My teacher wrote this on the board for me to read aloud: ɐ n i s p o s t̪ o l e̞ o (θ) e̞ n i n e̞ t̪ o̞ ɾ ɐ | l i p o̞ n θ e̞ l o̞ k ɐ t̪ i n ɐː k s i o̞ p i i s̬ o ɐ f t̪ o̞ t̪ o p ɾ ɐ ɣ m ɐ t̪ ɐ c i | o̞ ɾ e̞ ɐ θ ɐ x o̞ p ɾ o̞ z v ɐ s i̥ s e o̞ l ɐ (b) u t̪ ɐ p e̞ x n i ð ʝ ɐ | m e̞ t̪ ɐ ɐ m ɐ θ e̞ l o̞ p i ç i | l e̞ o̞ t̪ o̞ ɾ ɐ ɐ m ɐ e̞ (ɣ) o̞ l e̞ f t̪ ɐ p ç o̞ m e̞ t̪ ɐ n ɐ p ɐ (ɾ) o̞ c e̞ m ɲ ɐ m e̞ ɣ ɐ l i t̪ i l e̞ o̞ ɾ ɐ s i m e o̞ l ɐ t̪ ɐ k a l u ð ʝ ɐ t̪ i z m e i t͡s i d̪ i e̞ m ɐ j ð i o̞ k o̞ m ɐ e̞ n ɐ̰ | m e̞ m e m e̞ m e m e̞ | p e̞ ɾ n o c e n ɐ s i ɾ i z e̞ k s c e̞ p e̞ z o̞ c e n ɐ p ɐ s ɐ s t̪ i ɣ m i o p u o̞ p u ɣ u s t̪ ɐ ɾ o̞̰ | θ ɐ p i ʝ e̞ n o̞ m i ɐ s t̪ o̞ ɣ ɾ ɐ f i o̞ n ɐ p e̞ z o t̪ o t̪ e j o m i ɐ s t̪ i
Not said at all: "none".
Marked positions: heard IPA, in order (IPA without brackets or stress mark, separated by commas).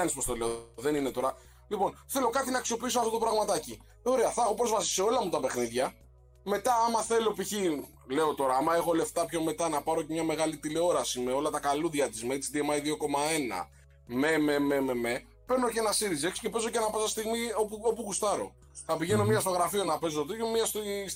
ð, m, x, ɾ